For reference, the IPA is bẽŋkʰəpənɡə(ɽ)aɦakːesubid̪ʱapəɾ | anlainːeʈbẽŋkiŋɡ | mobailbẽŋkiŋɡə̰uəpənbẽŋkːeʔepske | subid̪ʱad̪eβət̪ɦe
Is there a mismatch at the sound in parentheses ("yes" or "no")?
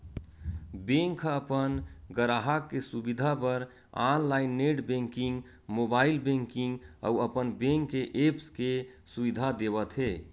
yes